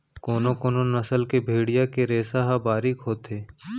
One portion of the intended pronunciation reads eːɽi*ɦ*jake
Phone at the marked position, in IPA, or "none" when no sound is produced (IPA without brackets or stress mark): none